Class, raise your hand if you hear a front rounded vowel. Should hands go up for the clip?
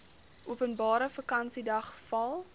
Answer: no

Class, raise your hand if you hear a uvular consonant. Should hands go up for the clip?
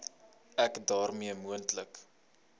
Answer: no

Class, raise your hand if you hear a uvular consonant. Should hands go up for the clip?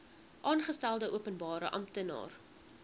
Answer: yes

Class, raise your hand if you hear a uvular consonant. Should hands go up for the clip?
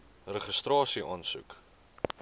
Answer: yes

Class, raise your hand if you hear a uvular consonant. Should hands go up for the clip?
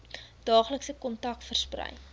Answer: yes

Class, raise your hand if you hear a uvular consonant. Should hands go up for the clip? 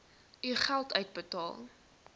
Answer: yes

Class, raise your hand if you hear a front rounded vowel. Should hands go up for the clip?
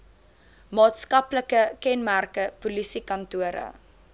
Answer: no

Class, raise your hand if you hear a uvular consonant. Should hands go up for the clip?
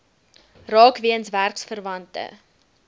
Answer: no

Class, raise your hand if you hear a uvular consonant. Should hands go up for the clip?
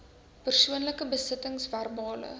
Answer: no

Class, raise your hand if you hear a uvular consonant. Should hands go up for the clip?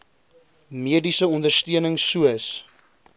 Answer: no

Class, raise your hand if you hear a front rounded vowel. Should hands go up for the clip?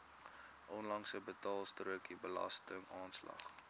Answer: no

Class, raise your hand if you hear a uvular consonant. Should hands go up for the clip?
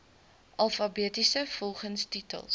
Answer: yes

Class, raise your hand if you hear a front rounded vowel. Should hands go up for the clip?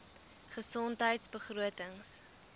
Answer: no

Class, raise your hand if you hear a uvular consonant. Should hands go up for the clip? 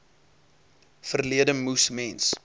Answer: no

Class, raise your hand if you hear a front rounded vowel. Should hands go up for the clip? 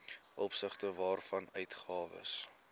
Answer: yes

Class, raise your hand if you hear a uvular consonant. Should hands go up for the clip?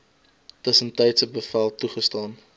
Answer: yes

